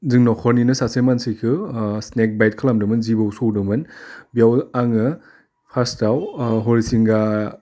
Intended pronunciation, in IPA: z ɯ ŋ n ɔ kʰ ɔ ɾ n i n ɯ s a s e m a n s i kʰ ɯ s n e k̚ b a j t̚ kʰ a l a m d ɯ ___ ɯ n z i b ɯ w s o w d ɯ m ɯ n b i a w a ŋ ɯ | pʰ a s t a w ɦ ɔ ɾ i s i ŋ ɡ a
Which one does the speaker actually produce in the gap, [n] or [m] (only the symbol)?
m